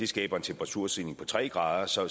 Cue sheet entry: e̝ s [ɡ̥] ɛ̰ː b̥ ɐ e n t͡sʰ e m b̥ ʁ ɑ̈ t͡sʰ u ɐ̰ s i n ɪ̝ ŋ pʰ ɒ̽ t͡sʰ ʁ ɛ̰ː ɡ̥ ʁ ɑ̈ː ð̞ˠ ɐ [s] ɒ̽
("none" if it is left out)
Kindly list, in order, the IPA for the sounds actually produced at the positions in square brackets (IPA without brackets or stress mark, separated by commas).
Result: ɡ̥, s